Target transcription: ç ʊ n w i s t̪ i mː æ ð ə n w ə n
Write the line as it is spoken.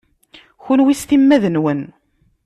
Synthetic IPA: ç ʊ n w i s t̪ i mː æ ð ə n w ə n